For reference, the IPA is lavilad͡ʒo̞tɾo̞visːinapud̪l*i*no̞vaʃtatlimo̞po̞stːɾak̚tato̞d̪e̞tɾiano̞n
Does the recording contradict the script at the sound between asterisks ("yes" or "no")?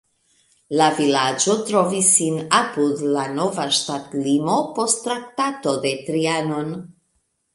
yes